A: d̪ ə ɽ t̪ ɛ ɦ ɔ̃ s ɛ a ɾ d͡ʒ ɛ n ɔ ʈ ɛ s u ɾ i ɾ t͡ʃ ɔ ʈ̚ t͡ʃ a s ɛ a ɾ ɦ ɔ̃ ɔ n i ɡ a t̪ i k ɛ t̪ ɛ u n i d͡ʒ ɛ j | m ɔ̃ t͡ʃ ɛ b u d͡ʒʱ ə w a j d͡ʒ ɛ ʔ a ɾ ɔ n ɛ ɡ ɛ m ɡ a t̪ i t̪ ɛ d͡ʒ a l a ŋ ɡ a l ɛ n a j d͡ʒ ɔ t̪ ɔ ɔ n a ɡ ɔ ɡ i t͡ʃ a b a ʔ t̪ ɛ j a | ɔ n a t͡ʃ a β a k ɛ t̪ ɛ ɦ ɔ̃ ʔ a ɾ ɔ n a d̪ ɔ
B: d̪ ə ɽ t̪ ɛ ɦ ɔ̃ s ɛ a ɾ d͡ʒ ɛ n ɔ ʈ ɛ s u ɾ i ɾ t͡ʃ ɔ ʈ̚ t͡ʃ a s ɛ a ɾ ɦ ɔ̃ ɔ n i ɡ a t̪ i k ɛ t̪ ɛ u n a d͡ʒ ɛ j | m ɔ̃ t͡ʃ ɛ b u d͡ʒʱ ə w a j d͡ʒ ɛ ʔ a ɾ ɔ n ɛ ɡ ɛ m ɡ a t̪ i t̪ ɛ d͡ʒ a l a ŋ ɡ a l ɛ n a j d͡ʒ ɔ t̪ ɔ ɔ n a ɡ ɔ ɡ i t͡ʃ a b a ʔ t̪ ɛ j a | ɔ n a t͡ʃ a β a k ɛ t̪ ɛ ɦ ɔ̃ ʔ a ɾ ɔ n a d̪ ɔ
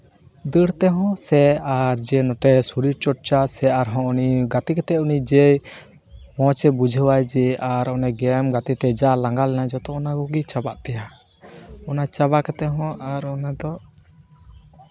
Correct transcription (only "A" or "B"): A